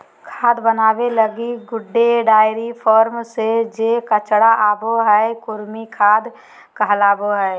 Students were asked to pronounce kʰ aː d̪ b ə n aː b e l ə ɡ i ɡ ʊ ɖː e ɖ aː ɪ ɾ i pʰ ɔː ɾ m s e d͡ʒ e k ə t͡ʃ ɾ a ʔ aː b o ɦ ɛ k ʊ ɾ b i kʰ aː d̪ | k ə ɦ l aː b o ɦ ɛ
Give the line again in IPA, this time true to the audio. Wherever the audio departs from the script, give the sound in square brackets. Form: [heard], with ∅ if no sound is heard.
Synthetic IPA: kʰ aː d̪ b ə n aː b e l ə ɡ i ɡ ʊ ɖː e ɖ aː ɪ ɾ i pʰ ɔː ɾ m s e d͡ʒ e k ə t͡ʃ [ɽ] a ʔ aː b o ɦ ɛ k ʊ ɾ [m] i kʰ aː d̪ | k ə ɦ l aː b o ɦ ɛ